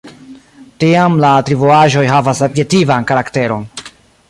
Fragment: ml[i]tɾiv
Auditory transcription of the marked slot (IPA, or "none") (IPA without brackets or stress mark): a